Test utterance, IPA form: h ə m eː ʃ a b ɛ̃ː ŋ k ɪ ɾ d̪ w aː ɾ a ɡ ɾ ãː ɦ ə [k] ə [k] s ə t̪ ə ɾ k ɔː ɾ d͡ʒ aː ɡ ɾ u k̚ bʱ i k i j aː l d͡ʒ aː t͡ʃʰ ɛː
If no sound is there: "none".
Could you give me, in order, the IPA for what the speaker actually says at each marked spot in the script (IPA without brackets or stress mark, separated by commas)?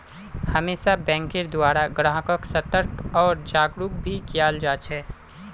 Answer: k, k